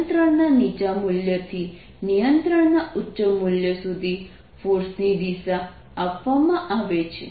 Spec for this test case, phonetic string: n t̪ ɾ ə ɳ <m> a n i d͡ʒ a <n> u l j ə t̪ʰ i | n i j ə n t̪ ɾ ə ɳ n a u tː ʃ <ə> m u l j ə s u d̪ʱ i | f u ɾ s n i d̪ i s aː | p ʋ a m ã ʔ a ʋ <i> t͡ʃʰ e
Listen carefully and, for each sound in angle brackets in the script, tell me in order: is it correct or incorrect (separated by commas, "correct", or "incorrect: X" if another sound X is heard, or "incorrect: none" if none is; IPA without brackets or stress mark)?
incorrect: n, incorrect: m, correct, incorrect: e